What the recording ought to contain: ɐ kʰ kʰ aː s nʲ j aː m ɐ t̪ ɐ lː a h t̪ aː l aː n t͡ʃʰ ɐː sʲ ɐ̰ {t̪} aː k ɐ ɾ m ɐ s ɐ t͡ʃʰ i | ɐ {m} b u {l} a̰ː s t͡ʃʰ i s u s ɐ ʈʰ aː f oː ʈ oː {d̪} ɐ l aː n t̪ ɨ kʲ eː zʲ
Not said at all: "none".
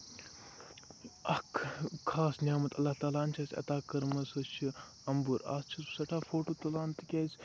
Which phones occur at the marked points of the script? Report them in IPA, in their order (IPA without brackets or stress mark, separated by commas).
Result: t̪, m, ɾ, t̪